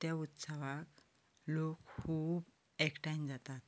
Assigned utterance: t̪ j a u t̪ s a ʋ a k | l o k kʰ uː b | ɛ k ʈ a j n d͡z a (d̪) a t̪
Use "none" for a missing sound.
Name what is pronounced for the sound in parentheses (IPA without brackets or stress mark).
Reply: t̪